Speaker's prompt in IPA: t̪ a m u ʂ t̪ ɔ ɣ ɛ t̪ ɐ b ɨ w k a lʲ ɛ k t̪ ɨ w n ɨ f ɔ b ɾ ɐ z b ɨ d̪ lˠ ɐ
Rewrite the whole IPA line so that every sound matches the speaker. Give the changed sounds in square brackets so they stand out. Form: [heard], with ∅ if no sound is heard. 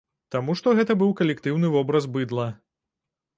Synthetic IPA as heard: t̪ a m u ʂ t̪ ɔ ɣ ɛ t̪ ɐ b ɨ w k [ɐ] lʲ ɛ k t̪ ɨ w n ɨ [v] ɔ b ɾ ɐ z b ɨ d̪ lˠ ɐ